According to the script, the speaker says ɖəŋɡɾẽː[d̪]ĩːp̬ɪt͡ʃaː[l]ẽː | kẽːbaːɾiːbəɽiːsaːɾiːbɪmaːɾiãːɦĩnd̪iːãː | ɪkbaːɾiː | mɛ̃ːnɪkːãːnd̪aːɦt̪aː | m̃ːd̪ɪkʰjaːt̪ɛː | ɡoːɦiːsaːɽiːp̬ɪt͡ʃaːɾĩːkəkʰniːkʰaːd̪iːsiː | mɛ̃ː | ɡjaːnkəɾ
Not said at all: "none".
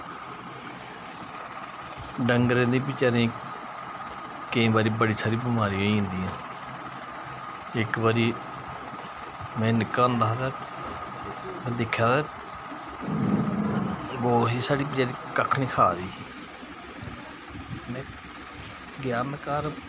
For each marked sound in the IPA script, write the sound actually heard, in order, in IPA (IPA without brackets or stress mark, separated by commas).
d̪, ɾ